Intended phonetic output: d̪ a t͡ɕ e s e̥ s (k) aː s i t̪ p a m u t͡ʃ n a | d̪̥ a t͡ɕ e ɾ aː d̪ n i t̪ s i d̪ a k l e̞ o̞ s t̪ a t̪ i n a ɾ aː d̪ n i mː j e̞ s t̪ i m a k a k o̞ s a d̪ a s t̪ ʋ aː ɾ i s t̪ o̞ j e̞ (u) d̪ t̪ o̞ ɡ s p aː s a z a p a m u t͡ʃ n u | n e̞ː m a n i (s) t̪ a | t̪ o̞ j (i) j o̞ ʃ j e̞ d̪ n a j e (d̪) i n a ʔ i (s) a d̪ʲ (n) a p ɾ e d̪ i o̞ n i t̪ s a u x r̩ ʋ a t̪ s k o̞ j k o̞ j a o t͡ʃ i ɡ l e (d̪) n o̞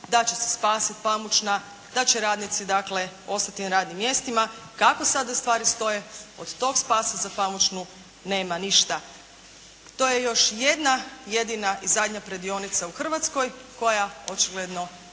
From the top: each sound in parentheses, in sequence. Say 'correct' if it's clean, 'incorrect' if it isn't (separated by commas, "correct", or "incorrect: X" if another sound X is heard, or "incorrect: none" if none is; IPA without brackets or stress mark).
incorrect: p, incorrect: o, incorrect: ʃ, incorrect: e, correct, incorrect: z, incorrect: ɲ, correct